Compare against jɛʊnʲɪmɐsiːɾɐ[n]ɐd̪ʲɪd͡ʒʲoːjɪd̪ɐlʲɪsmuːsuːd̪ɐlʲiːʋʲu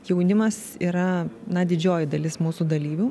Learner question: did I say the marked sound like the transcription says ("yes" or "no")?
yes